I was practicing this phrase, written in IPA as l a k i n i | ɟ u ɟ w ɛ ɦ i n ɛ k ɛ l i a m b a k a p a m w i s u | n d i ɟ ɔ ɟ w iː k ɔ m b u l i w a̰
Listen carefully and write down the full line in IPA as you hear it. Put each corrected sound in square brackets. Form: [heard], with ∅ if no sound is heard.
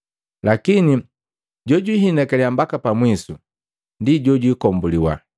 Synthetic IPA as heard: l a k i n i | ɟ [ɔ] ɟ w [i] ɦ i n ɛ k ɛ l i a m b a k a p a m w i s u | n d i ɟ ɔ ɟ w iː k ɔ m b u l i w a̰